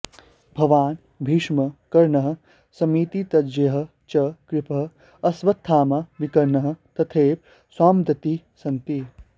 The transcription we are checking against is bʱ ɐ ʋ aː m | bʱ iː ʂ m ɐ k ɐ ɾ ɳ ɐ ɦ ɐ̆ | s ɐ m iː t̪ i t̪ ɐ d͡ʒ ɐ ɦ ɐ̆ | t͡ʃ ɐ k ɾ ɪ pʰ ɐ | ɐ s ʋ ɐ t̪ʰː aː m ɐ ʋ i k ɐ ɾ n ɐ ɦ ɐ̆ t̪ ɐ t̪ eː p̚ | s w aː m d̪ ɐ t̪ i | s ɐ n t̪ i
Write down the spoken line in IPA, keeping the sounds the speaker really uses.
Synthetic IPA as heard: bʱ ɐ ʋ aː n | bʱ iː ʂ m ɐ k ɐ ɾ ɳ ɐ ɦ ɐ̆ | s ɐ m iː t̪ i t̪ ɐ d͡ʒ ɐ ɦ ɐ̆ | t͡ʃ ɐ k ɾ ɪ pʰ ɐ | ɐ s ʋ ɐ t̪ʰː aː m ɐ ʋ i k ɐ ɾ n ɐ ɦ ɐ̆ t̪ ɐ t̪ʰ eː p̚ | s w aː m d̪ ɐ t̪ i | s ɐ n t̪ i